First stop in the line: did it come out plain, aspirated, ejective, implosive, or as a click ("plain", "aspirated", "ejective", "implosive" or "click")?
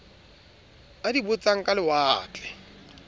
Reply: plain